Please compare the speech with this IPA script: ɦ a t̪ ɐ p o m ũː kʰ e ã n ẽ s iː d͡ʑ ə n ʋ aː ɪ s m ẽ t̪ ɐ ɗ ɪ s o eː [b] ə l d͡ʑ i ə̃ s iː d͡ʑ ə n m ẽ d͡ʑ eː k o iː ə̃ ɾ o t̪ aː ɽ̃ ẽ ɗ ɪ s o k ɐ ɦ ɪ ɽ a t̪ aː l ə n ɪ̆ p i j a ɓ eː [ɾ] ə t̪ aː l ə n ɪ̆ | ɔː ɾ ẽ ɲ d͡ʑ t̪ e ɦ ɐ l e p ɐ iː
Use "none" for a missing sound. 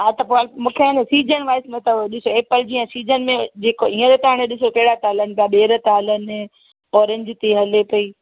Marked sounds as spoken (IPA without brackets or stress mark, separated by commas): p, ɾ